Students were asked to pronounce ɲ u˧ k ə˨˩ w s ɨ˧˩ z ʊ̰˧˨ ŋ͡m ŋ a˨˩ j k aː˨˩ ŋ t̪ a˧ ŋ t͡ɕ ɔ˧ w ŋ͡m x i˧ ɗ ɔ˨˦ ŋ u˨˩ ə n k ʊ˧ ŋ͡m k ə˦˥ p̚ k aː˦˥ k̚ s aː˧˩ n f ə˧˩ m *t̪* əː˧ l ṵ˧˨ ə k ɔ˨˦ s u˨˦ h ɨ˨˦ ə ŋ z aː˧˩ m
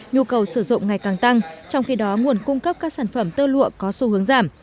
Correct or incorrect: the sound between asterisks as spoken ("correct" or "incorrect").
correct